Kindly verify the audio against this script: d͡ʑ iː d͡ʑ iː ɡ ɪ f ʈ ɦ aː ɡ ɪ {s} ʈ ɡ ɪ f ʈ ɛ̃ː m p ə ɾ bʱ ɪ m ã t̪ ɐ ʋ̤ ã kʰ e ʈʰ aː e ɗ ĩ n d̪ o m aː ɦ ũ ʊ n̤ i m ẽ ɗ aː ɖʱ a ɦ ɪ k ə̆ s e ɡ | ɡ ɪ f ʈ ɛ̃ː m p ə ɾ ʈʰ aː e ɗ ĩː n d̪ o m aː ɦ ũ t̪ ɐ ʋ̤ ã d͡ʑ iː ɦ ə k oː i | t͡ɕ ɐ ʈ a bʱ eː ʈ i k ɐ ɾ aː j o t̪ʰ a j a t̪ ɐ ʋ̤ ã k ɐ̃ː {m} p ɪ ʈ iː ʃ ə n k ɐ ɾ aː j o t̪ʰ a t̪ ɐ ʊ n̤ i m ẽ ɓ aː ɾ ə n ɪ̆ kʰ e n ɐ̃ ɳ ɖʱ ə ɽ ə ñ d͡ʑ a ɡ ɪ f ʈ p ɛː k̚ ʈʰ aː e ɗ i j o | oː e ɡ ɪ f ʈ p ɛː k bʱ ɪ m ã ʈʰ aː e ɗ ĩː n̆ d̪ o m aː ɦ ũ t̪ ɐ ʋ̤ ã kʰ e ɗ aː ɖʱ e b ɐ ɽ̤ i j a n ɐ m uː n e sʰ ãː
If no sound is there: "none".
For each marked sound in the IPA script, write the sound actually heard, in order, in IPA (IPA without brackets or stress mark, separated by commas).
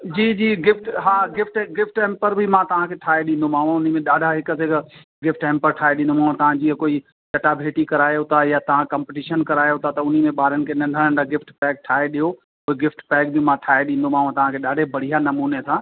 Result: f, m